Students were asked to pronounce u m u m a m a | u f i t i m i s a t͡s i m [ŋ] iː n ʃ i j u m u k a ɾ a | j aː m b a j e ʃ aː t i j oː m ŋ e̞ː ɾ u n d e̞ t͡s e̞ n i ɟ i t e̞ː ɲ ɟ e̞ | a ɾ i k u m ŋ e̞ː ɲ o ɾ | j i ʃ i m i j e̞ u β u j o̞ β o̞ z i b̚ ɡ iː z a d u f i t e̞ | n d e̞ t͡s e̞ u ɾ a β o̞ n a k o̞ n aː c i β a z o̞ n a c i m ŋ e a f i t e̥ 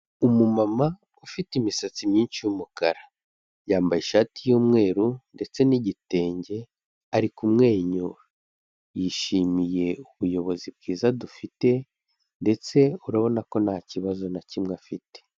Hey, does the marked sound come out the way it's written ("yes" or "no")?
no